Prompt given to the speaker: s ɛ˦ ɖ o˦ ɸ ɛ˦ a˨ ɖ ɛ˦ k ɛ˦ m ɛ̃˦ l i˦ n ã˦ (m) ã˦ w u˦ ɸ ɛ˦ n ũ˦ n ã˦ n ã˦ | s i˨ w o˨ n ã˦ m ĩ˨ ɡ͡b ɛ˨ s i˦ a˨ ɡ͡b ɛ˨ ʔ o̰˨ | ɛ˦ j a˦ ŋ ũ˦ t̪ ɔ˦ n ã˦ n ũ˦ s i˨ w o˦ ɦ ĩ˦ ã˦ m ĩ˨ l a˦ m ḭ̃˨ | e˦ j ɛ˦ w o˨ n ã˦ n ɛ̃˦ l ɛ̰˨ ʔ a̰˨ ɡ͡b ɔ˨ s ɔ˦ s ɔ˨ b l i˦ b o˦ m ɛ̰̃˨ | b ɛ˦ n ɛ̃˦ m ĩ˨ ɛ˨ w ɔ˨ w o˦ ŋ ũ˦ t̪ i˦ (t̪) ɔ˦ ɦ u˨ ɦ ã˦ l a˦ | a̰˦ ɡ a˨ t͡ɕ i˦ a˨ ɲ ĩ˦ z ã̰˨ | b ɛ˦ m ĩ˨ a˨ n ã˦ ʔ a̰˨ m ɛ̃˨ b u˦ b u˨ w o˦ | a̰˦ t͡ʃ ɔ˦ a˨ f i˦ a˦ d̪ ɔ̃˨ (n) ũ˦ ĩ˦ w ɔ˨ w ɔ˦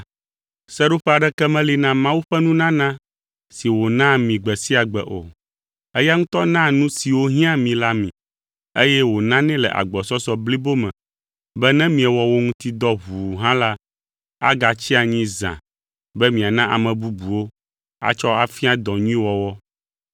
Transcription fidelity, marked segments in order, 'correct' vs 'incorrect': correct, incorrect: d̪, incorrect: ɲ

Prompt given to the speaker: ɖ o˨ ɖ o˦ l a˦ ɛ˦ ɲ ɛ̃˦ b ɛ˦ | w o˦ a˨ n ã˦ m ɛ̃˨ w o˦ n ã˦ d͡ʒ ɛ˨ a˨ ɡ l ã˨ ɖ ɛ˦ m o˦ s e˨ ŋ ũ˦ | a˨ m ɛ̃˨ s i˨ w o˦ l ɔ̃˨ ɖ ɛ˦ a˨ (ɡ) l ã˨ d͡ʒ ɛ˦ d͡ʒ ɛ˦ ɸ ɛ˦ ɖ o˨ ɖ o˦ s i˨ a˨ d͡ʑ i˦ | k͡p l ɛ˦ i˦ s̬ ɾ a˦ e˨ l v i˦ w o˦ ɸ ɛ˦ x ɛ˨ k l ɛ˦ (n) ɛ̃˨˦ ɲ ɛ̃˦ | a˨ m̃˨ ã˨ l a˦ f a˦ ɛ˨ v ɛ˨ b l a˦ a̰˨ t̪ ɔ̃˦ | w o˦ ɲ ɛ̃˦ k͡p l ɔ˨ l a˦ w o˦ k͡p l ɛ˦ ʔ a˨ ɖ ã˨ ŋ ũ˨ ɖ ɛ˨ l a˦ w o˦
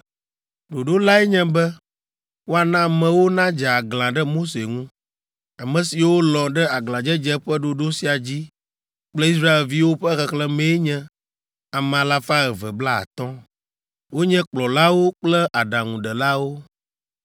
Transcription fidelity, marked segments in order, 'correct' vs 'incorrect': correct, incorrect: m

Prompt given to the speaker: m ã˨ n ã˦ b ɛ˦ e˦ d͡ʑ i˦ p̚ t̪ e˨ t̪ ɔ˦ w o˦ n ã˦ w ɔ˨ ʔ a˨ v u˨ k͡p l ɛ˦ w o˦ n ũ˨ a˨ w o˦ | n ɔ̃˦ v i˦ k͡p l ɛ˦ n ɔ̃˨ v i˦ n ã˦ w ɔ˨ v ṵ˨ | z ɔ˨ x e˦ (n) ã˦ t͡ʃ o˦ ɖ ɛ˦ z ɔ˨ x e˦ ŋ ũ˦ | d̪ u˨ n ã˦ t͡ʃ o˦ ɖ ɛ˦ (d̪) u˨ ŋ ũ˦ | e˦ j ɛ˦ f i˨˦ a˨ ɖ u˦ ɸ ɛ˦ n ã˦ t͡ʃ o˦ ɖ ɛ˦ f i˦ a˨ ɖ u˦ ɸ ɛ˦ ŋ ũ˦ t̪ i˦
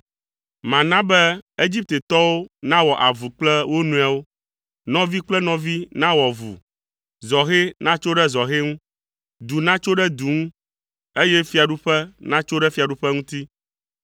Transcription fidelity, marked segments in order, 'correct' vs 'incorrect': correct, correct

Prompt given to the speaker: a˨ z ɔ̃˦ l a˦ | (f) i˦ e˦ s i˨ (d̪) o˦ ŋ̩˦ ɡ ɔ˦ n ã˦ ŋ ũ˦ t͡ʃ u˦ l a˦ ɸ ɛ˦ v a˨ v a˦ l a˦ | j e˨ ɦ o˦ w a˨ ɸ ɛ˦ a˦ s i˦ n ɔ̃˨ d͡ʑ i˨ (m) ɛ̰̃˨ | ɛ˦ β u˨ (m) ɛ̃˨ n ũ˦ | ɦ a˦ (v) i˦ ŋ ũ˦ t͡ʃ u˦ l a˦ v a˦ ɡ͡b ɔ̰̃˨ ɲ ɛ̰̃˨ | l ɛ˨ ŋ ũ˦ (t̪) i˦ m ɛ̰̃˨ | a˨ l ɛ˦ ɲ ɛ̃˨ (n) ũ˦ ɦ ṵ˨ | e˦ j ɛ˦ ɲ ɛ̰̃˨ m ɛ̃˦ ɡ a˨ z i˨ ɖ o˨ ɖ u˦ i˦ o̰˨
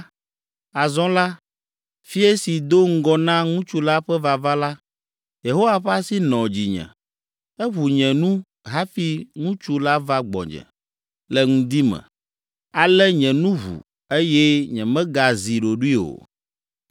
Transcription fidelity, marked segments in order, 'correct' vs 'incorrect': correct, correct, incorrect: ɲ, incorrect: ɲ, incorrect: f, incorrect: d̪, correct

